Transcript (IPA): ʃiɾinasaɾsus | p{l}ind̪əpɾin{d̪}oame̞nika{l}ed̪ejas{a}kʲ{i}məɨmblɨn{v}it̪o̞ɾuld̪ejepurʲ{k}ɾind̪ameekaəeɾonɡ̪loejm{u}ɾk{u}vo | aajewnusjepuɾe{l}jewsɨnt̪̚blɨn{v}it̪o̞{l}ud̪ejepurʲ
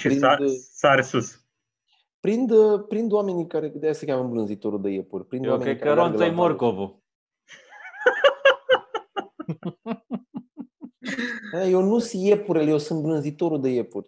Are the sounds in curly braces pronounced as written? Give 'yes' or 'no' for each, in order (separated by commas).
no, yes, no, no, no, no, no, no, no, yes, no, no